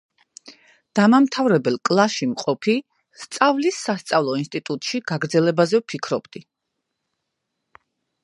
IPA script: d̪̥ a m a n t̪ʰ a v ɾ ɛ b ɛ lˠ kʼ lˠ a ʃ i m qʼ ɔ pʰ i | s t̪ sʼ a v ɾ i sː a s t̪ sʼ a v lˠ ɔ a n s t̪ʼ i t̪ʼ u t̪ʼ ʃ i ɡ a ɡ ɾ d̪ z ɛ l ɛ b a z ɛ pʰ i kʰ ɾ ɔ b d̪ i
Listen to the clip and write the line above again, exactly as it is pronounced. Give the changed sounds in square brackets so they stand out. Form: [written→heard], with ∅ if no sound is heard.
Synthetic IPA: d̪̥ a m a [n→m] t̪ʰ a v ɾ ɛ b ɛ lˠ kʼ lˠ a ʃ i m qʼ ɔ pʰ i | s t̪ sʼ a v [ɾ→l] i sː a s t̪ sʼ a v lˠ ɔ [a→i] n s t̪ʼ i t̪ʼ u t̪ʼ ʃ i ɡ a ɡ ɾ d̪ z ɛ l ɛ b a z ɛ pʰ i kʰ ɾ ɔ b d̪ i